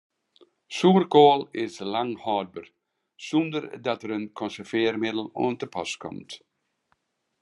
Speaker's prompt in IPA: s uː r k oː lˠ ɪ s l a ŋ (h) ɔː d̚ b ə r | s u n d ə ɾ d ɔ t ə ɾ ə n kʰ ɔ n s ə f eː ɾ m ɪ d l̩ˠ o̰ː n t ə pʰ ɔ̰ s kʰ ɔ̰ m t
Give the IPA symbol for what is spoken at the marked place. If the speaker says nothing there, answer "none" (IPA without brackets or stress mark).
h